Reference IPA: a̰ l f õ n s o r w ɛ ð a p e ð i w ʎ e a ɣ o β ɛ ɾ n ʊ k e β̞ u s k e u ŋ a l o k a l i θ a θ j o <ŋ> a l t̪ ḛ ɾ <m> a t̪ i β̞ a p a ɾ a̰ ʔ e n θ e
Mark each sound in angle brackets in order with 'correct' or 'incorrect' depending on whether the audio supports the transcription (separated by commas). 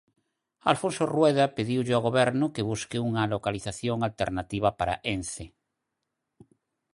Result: correct, incorrect